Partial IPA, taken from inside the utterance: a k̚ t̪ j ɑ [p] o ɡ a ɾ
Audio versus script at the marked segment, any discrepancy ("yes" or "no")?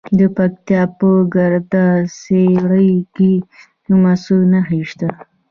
no